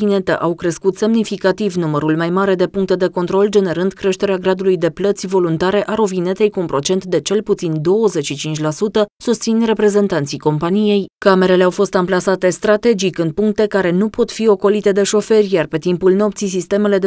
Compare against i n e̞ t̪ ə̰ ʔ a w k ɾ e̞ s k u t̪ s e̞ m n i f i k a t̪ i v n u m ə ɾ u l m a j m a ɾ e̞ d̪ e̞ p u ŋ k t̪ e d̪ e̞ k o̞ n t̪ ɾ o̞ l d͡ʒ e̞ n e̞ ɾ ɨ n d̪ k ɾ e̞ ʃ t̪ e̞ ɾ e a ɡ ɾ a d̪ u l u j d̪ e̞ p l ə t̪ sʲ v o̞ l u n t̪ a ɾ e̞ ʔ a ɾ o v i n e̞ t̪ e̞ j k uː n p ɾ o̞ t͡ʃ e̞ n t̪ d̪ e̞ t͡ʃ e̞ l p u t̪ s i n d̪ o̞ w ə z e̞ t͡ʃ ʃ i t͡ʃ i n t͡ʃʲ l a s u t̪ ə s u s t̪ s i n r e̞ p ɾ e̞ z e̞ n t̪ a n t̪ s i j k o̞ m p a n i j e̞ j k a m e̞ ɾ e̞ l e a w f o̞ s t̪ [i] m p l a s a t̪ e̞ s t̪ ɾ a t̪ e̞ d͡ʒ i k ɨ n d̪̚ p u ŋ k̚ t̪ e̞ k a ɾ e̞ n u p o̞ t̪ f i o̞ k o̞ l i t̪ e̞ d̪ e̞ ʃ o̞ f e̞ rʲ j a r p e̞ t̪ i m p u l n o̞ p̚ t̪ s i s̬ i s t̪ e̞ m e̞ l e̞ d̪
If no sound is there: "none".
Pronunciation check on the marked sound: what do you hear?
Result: a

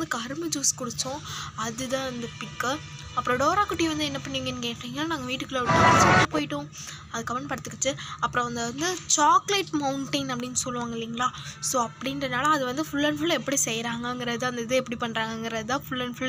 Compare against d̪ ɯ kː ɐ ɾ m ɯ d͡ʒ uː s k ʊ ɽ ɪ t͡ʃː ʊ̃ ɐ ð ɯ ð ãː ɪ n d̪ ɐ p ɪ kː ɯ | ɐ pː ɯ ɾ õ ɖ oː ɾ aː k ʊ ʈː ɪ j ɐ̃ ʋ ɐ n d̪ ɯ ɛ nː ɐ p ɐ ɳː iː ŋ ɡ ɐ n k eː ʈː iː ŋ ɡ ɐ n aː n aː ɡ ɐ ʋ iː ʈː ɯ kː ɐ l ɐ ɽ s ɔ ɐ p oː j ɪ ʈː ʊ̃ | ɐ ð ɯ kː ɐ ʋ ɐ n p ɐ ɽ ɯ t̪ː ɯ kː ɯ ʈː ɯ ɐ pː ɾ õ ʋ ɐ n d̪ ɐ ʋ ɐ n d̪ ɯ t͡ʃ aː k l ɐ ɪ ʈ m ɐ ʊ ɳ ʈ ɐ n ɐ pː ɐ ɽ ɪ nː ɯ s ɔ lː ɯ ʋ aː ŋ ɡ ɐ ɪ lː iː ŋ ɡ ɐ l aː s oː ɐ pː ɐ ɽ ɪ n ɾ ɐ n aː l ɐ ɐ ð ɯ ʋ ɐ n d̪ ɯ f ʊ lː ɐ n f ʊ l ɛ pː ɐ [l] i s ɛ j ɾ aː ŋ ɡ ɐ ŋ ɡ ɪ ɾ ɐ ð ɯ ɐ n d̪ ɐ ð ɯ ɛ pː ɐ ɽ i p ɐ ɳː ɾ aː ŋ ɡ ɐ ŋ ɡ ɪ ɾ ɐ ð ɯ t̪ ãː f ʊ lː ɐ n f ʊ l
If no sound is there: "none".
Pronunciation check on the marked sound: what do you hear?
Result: ɽ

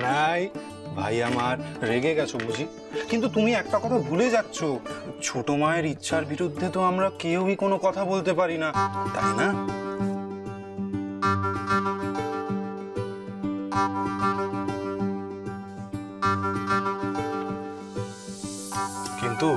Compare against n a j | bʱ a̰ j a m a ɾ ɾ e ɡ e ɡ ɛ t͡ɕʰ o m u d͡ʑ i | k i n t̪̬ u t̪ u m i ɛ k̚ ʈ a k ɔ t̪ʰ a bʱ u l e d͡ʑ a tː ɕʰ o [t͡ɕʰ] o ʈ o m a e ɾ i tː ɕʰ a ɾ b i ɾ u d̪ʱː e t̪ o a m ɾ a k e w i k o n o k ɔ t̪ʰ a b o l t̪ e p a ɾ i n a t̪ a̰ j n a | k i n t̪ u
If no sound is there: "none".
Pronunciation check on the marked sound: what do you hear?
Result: t͡ɕʰ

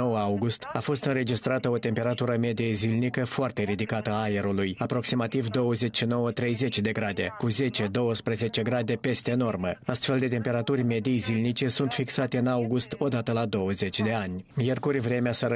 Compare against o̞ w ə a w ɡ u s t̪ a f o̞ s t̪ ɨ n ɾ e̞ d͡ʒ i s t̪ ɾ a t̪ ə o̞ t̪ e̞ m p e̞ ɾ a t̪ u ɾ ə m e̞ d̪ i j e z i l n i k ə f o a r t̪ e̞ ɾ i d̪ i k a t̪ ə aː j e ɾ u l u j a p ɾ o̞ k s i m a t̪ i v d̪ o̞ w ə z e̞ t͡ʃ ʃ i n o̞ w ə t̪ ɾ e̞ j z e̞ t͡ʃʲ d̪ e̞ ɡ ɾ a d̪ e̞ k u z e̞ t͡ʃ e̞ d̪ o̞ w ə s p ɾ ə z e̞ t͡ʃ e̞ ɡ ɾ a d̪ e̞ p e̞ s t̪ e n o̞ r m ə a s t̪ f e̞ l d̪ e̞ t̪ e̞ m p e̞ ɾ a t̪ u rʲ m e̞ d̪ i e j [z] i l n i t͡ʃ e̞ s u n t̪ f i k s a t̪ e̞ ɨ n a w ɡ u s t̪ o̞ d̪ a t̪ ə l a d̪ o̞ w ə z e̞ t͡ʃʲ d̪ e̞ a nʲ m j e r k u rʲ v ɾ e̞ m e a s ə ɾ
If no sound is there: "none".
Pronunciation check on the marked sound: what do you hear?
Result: z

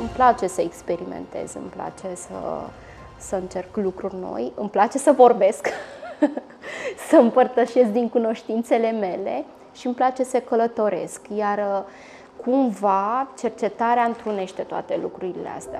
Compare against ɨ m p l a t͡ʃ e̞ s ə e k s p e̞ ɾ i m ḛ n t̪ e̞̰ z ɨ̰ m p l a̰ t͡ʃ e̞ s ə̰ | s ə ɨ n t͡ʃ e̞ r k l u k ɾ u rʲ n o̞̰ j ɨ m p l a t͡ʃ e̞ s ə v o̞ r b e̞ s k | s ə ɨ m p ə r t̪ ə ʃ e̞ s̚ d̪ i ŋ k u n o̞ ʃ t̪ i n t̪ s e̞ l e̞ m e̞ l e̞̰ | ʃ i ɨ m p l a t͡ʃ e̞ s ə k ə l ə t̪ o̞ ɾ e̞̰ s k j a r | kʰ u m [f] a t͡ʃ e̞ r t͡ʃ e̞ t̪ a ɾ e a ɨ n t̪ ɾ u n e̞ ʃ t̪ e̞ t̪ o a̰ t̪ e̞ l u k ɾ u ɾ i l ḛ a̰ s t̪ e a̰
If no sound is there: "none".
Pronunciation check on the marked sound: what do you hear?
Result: v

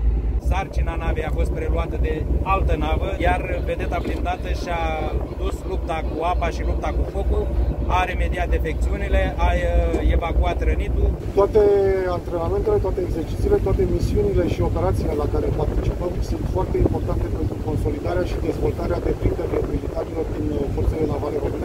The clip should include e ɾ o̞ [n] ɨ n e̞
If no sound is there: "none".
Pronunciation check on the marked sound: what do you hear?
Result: m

